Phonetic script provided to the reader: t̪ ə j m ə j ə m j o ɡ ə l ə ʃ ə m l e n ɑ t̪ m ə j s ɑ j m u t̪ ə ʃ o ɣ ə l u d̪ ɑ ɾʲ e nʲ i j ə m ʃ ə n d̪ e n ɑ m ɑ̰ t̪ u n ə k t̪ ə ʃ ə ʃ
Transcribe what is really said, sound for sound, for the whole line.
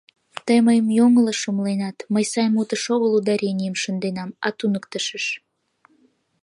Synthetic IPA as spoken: t̪ ə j m ə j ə m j o ŋ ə l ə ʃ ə m l e n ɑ t̪ m ə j s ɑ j m u t̪ ə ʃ o ɣ ə l u d̪ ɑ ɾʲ e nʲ i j ə m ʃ ə n d̪ e n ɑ m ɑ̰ t̪ u n ə k t̪ ə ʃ ə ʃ